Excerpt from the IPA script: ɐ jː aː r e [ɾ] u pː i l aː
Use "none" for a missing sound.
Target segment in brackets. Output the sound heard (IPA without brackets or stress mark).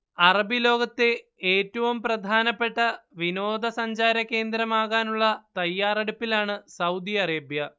ɽ